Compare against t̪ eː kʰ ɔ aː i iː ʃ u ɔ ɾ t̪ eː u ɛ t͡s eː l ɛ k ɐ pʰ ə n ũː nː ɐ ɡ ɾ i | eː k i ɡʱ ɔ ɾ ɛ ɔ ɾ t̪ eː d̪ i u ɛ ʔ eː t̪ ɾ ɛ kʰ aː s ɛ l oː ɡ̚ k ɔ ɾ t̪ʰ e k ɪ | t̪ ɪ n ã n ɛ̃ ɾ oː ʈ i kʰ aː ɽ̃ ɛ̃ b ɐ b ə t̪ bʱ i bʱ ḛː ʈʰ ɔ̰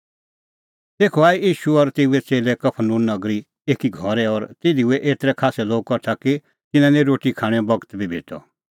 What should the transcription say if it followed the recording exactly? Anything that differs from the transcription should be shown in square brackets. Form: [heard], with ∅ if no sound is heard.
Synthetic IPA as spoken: t̪ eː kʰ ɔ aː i iː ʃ u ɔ ɾ t̪ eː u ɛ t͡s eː l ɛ k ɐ pʰ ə n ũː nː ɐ ɡ ɾ i | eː k i ɡʱ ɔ ɾ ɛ ɔ ɾ t̪ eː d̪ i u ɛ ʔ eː t̪ ɾ ɛ kʰ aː s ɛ l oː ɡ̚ k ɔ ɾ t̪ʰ [a] k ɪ | t̪ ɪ n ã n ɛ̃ ɾ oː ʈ i kʰ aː ɽ̃ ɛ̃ b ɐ [ɡ] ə t̪ bʱ i bʱ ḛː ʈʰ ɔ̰